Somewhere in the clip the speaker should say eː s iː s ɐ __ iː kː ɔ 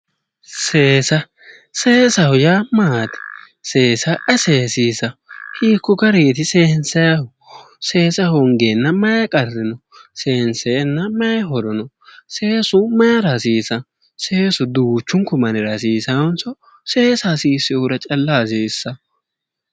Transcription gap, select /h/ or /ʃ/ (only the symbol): h